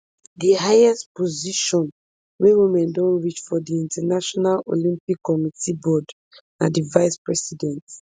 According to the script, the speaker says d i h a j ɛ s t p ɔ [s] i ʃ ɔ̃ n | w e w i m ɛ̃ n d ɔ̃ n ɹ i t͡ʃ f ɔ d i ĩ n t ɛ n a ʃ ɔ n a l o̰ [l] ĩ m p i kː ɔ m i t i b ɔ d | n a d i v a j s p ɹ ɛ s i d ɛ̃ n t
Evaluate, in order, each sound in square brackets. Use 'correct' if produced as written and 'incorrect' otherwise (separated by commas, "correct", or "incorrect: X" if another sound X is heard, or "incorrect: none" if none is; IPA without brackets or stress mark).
incorrect: z, correct